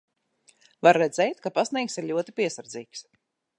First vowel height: low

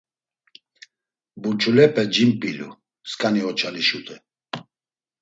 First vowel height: high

